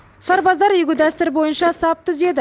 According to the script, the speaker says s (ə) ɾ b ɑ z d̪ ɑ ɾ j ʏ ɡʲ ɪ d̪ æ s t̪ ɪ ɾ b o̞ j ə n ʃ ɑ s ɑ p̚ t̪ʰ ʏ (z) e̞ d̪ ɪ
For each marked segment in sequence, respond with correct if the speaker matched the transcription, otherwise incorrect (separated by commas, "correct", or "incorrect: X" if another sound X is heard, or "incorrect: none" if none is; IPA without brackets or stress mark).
incorrect: ɑ, correct